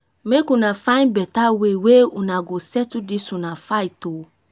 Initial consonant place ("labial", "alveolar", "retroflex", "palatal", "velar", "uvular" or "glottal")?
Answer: labial